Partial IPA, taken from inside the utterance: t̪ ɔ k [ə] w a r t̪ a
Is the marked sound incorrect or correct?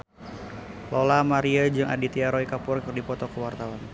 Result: correct